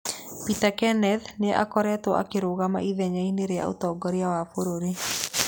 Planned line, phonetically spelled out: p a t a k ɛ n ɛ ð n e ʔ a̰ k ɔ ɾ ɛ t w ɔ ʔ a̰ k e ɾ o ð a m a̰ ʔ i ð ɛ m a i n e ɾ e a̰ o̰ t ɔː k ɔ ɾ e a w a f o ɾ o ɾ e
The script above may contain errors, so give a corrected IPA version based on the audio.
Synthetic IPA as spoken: p i t a k ɛ n ɛ ð n e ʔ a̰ k ɔ ɾ ɛ t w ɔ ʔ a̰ k e ɾ o ɣ a m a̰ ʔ i ð ɛ ɲ a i n e ɾ e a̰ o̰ t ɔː ɡ ɔ ɾ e a w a f o ɾ o ɾ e